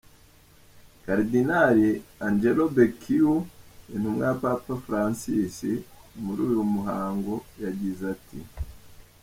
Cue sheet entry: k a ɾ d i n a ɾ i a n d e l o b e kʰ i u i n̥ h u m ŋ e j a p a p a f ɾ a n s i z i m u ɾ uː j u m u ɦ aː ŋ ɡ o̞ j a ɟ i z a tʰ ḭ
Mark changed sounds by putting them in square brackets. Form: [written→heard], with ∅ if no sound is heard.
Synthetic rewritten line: k a ɾ d i n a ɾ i a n [d→d͡ʒ] e l o b e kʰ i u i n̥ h u m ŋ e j a p a p a f ɾ a n s i [z→s] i m u ɾ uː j u m u ɦ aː ŋ ɡ o̞ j a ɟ i z a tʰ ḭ